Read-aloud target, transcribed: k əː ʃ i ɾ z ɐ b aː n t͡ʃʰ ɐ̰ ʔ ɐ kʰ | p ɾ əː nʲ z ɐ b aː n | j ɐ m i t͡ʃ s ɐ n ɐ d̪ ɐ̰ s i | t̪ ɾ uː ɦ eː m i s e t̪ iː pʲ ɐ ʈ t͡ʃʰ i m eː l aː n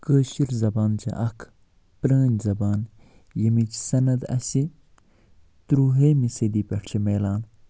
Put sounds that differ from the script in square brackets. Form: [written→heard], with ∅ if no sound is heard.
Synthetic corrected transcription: k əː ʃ i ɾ z ɐ b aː n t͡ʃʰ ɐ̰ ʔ ɐ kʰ | p ɾ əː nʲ z ɐ b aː n | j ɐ m i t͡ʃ s ɐ n ɐ d̪ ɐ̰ s i | t̪ ɾ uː ɦ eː m i s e [t̪→d̪] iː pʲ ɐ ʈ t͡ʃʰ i m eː l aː n